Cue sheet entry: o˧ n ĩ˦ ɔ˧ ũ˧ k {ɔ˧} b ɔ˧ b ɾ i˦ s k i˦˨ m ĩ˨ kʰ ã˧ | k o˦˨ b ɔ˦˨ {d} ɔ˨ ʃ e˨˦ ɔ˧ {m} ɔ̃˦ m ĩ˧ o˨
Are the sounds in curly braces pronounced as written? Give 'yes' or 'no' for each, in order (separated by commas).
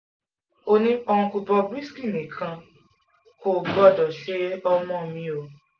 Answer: no, yes, yes